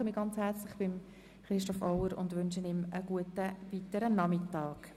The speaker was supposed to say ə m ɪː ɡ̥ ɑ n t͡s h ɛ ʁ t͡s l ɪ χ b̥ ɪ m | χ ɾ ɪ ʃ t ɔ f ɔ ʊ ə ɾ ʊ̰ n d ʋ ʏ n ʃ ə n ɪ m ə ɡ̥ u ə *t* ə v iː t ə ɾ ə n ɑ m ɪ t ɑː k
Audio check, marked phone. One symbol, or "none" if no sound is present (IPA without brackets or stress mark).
t